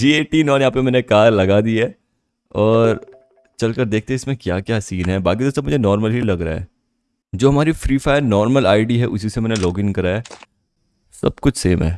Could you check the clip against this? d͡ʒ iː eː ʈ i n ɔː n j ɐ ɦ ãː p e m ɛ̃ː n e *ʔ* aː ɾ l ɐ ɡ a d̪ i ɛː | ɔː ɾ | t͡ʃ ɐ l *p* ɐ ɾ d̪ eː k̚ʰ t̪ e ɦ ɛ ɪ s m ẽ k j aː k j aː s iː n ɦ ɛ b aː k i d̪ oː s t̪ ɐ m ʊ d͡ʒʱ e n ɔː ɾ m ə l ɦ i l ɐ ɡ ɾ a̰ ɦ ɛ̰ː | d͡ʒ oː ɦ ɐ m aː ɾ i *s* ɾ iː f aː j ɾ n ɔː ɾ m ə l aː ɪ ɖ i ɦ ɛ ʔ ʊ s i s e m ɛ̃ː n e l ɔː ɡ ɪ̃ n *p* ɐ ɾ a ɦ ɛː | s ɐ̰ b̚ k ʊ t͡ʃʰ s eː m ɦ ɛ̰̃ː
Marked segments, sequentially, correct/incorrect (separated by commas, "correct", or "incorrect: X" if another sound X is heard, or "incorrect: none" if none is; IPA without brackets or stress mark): incorrect: k, incorrect: k, incorrect: f, incorrect: k